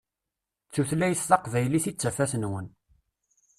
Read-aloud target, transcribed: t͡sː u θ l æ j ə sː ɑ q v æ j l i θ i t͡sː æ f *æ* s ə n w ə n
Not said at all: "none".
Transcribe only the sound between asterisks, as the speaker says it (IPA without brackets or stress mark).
æ